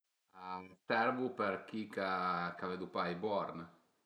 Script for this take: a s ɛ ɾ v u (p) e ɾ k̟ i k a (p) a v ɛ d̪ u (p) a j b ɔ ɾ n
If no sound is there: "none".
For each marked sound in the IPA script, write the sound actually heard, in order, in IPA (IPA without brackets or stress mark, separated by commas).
p, k, p